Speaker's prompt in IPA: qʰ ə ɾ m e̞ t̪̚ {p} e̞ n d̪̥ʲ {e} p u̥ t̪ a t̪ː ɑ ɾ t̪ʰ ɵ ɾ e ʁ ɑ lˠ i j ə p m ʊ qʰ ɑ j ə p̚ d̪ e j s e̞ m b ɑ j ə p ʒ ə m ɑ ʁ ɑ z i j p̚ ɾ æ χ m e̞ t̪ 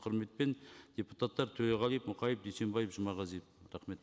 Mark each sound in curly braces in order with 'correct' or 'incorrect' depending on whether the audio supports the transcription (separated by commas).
correct, correct